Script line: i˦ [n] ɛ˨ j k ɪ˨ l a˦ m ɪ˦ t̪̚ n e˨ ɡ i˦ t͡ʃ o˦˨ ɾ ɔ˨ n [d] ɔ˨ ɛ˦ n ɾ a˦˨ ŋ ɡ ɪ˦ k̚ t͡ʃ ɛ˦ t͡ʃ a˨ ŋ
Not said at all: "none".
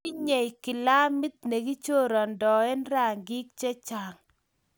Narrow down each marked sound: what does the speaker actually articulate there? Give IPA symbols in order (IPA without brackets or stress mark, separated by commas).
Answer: ɲ, d